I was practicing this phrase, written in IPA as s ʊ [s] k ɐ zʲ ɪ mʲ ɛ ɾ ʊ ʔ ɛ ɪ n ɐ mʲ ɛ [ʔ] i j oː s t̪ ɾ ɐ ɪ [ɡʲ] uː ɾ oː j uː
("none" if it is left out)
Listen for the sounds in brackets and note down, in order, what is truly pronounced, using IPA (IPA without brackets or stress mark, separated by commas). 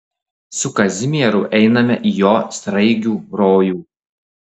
none, ʔ, ɡʲ